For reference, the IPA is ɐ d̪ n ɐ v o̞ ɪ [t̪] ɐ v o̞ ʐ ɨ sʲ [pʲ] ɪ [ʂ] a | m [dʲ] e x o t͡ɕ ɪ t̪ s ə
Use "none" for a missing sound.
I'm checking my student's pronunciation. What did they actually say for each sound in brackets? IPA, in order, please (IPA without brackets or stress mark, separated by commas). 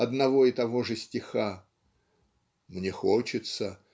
t̪, tʲ, x, nʲ